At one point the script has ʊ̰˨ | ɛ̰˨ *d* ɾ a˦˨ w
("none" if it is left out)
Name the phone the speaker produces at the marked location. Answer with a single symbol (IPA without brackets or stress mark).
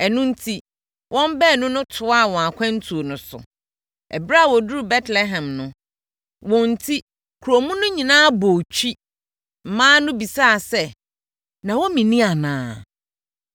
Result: b